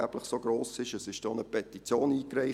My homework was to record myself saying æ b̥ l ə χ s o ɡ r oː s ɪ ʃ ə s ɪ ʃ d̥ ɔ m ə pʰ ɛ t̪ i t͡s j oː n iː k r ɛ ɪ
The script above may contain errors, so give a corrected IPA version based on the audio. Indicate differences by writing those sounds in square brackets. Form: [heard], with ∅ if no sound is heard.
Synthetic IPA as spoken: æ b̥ l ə χ s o ɡ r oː s ɪ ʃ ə s ɪ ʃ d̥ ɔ [n] ə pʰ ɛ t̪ i t͡s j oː n iː k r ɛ ɪ